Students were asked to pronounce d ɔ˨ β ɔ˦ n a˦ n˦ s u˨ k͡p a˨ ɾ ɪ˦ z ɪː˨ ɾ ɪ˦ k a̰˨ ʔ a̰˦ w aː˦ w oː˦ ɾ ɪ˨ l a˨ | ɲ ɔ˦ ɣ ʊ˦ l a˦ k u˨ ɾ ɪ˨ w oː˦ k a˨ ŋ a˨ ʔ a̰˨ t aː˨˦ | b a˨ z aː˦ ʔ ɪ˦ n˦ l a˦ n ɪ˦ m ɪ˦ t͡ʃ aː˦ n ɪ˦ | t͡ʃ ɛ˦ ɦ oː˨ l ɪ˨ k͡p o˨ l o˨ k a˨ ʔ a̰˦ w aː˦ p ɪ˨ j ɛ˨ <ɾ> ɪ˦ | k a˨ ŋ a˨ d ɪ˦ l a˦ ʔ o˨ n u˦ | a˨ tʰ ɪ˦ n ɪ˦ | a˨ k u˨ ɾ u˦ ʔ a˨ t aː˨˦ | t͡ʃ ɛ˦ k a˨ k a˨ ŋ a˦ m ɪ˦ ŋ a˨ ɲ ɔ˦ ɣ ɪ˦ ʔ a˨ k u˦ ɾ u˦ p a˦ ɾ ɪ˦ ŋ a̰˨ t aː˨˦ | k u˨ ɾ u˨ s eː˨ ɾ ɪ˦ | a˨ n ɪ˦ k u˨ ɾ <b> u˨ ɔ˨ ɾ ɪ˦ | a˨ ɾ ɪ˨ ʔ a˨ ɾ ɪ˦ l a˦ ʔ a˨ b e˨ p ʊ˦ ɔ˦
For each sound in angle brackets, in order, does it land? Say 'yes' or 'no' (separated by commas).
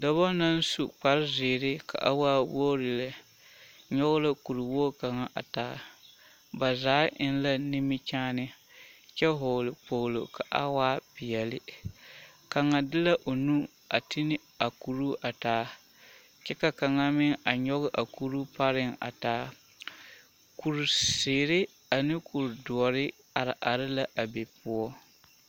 no, no